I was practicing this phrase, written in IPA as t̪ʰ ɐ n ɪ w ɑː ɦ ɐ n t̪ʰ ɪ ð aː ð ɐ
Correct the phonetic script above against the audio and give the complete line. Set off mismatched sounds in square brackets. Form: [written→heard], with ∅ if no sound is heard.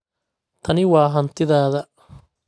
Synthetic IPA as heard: t̪ʰ ɐ n ɪ w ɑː ɦ ɐ n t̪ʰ ɪ ð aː ð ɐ